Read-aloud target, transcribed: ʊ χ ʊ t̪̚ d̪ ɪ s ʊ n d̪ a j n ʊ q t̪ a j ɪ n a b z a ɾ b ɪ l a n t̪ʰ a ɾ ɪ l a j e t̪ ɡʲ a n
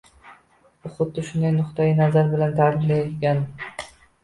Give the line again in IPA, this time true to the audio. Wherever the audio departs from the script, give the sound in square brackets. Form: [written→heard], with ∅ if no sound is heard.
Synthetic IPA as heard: ʊ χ ʊ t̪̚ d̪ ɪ [s→ʃ] ʊ n d̪ a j n ʊ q t̪ a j ɪ n a [b→∅] z a ɾ b ɪ l a n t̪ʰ a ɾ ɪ l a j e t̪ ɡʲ a n